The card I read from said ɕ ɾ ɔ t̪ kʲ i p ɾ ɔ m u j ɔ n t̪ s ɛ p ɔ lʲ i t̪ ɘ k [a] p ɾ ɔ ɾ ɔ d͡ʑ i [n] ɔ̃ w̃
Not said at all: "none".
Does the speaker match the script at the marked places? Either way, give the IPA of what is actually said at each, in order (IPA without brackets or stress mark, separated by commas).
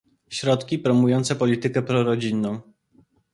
ɛ, nː